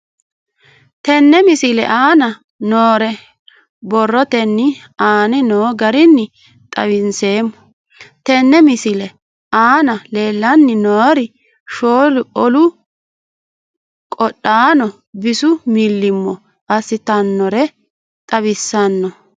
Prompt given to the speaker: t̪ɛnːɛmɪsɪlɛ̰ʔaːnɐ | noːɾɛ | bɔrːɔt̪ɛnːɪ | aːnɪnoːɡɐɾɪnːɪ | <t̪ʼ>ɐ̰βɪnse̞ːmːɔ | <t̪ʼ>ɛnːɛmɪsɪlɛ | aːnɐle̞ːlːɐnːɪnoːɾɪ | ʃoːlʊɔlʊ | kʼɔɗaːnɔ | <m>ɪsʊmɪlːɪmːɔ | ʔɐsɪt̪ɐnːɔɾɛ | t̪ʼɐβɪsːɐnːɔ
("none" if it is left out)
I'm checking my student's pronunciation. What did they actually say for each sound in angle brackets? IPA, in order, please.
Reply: t̪ʼ, t̪, b

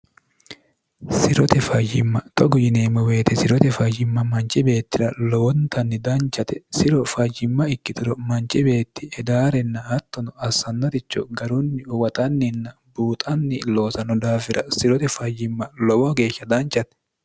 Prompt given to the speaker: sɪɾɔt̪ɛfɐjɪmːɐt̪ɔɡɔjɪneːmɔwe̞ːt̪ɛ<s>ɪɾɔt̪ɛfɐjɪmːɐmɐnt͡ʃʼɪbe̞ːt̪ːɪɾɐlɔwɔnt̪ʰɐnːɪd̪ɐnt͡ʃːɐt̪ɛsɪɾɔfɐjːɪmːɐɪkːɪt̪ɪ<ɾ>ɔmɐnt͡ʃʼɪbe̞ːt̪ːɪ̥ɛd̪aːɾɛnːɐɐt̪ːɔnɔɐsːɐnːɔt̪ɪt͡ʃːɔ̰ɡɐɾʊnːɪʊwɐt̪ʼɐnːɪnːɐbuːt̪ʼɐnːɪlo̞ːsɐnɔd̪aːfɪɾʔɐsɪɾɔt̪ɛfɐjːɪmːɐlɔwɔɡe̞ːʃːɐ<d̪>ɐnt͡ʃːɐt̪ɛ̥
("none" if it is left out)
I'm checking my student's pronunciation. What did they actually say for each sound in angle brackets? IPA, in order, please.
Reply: s, ɾ, d̪

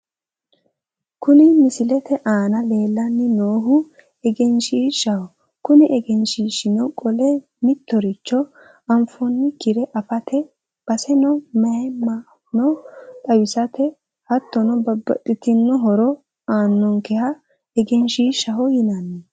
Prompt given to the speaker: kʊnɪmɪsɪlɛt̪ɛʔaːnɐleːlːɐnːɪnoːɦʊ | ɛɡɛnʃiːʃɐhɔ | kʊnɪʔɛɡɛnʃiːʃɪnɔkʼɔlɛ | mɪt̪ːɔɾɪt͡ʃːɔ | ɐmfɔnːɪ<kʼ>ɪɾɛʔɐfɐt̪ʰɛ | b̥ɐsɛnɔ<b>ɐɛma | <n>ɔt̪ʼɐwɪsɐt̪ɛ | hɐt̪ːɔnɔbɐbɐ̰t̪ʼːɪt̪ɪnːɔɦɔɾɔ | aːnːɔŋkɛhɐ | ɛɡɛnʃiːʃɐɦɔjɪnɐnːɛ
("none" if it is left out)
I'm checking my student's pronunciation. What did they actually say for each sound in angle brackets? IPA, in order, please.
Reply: k, m, n

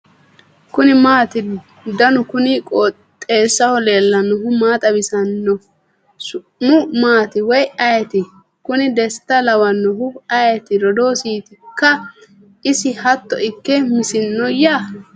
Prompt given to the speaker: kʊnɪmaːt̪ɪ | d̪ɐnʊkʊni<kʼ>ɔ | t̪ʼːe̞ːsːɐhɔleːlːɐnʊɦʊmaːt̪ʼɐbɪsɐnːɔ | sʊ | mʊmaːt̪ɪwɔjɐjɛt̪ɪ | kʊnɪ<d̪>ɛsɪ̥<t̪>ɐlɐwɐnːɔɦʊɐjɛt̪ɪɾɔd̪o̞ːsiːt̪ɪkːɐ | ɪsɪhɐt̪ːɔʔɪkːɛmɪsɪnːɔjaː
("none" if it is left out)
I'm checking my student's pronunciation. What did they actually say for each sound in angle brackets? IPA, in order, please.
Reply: kʼ, d̪, t̪

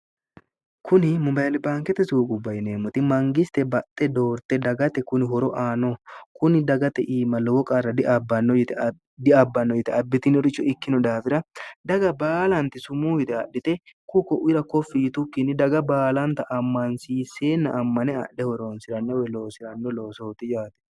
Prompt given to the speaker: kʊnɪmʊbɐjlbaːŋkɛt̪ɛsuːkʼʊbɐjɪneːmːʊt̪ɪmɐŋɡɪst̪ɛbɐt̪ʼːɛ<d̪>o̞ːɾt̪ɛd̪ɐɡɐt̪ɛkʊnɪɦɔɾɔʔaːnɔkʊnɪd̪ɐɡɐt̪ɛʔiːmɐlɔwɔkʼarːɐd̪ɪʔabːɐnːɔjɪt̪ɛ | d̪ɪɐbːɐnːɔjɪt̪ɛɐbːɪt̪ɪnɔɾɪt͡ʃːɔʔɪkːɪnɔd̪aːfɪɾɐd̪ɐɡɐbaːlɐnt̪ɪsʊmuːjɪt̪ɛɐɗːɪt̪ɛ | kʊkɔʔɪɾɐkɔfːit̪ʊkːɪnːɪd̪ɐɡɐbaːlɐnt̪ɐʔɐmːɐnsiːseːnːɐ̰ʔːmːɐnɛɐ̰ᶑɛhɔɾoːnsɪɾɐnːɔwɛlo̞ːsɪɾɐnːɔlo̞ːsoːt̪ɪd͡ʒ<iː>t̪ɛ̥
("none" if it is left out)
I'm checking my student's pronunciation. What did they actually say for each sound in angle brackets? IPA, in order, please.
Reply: d̪, aː

